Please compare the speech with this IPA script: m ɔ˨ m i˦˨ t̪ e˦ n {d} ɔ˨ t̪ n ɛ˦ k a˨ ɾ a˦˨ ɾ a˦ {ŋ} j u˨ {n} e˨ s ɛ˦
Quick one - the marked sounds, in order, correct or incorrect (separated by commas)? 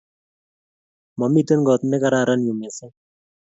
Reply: incorrect, incorrect, incorrect